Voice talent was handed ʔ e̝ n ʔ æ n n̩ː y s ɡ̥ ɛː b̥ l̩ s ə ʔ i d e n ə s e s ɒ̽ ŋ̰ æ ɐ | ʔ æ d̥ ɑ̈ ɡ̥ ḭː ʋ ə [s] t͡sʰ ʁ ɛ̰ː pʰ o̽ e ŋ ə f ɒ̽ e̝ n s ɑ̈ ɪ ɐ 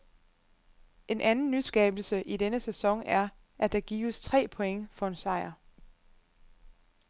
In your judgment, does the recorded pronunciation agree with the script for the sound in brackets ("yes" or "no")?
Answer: yes